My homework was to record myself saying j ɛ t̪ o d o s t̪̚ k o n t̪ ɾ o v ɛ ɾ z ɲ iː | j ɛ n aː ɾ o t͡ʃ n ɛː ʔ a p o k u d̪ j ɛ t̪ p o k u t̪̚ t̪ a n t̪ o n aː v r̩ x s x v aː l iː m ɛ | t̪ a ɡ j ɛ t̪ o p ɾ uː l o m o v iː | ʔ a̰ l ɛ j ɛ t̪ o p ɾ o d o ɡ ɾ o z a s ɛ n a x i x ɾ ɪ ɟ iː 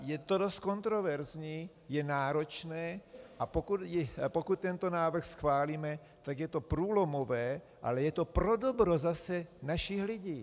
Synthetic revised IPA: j ɛ t̪ o d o s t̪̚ k o n t̪ ɾ o v ɛ ɾ z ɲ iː | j ɛ n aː ɾ o t͡ʃ n ɛː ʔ a p o k u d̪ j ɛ p o k u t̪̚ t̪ ɛ n t̪ o n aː v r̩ x s x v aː l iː m ɛ | t̪ a ɡ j ɛ t̪ o p ɾ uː l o m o v ɛː | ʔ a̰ l ɛ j ɛ t̪ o p ɾ o d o b ɾ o z a s ɛ n a ʃ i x l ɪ ɟ iː